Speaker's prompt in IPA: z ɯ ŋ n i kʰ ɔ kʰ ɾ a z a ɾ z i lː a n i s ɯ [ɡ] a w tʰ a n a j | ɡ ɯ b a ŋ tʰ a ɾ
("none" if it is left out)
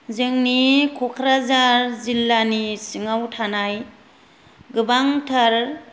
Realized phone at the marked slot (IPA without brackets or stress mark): ŋ